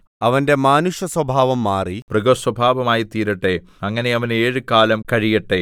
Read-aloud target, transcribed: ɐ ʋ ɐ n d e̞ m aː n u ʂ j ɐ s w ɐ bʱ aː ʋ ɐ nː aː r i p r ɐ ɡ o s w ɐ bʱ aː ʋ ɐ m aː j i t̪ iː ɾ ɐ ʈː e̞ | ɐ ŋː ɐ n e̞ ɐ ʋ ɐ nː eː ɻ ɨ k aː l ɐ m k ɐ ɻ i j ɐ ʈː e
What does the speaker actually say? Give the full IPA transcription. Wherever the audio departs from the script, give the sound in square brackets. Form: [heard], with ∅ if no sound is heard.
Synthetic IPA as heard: ɐ ʋ ɐ n d e̞ m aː n u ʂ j ɐ s w ɐ bʱ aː ʋ ɐ [mː] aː r i p r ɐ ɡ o s w ɐ bʱ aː ʋ ɐ m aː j i t̪ iː ɾ ɐ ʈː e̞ | ɐ ŋː ɐ n e̞ ɐ ʋ ɐ [n] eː ɻ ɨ k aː l ɐ m k ɐ ɻ i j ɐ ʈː e

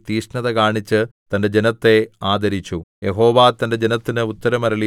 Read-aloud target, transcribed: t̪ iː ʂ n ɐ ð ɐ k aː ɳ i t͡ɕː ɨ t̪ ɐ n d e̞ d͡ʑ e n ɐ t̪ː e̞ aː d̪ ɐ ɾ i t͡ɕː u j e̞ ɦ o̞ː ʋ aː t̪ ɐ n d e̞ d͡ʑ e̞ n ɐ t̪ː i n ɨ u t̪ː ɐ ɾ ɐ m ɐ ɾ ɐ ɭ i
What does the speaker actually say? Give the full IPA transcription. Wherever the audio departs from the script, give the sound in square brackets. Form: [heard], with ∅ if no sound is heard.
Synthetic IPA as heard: t̪ iː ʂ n ɐ ð ɐ k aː ɳ i t͡ɕː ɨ t̪ ɐ n d e̞ d͡ʑ e n ɐ t̪ː e̞ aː d̪ ɐ ɾ i t͡ɕː u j e̞ ɦ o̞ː ʋ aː t̪ ɐ n d e̞ d͡ʑ e̞ n ɐ t̪ː i n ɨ u t̪ː ɐ ɾ ɐ m ɐ ɾ ɐ ɭ i

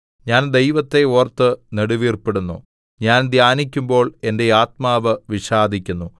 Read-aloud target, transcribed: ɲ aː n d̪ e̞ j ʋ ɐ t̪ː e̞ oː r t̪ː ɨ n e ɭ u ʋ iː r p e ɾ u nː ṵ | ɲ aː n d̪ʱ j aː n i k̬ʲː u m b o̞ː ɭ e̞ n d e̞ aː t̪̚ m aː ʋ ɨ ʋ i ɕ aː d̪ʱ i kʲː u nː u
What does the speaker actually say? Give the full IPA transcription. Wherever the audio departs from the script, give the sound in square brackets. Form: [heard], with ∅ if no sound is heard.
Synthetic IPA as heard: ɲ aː n d̪ e̞ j ʋ ɐ t̪ː e̞ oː r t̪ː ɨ n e [ɽ] u ʋ iː r p e [ɽ] u nː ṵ | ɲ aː n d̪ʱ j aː n i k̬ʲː u m b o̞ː ɭ e̞ n d e̞ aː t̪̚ m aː ʋ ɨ ʋ i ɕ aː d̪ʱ i kʲː u nː u

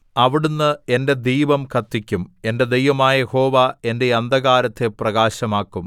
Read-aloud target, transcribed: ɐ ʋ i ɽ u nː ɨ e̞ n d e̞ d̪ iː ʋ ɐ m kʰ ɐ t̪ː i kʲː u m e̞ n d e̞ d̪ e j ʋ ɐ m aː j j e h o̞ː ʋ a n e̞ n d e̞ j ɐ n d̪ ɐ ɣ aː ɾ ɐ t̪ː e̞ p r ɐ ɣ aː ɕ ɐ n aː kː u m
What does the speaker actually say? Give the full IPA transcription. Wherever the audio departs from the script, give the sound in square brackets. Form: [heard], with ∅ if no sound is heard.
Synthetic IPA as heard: ɐ ʋ i ɽ u nː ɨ e̞ n d e̞ d̪ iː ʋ ɐ m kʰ ɐ t̪ː i kʲː u m e̞ n d e̞ d̪ e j ʋ ɐ m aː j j e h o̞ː ʋ a [∅] e̞ n d e̞ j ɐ n d̪ ɐ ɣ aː ɾ ɐ t̪ː e̞ p r ɐ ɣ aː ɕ ɐ [m] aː kː u m

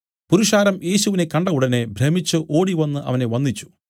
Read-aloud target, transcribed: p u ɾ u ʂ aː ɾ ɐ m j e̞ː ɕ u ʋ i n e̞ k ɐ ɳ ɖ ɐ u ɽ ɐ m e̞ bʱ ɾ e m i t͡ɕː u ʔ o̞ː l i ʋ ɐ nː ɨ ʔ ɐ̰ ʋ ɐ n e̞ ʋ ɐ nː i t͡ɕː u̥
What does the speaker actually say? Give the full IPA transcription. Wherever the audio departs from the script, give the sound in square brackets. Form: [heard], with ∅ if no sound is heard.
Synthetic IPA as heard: p u ɾ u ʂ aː ɾ ɐ m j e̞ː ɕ u ʋ i n e̞ k ɐ ɳ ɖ ɐ u ɽ ɐ [n] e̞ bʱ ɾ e m i t͡ɕː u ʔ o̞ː [ɽ] i ʋ ɐ nː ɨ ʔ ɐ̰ ʋ ɐ n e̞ ʋ ɐ nː i t͡ɕː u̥

